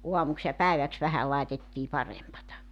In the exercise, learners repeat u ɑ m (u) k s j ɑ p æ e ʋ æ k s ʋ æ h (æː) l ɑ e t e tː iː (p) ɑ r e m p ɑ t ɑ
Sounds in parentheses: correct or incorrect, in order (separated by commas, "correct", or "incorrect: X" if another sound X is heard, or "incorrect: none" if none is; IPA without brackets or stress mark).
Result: correct, incorrect: æ, correct